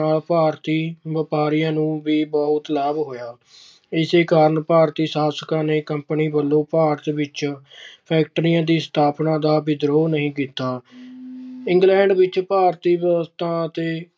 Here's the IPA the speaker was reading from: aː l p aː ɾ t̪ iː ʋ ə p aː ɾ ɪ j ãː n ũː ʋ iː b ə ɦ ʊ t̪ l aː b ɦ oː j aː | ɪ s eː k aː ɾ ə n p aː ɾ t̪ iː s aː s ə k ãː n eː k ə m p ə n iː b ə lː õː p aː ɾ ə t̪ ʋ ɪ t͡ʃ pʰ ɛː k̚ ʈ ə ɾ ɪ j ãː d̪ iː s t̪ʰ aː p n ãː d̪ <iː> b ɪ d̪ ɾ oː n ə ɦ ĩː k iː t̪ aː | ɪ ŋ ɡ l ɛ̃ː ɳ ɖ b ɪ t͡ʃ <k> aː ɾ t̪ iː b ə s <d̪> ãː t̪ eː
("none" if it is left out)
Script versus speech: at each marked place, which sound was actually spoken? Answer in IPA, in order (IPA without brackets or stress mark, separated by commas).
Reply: aː, p, t̪